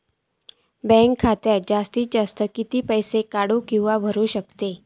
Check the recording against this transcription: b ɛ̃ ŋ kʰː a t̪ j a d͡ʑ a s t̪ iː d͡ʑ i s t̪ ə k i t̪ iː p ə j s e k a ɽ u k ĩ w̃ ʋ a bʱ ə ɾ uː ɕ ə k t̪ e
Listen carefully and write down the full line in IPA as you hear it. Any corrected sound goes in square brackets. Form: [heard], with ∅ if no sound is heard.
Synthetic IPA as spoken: b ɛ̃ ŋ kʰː a t̪ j a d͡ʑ a s t̪ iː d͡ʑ [a] s t̪ ə k i t̪ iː p ə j s e k a ɽ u k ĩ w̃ ʋ a bʱ ə ɾ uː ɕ ə k t̪ e